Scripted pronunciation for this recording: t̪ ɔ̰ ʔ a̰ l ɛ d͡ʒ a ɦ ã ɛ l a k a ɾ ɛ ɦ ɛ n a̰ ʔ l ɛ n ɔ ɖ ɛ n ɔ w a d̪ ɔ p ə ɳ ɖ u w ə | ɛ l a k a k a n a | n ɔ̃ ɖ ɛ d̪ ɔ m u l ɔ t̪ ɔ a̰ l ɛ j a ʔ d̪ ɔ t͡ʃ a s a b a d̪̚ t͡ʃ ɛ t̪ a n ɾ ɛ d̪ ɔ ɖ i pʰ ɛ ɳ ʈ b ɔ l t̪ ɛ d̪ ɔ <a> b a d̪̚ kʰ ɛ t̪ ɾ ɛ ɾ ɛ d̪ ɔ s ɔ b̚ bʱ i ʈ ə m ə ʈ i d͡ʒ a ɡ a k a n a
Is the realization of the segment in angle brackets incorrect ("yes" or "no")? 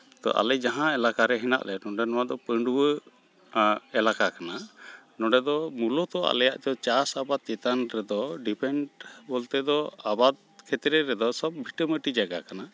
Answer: no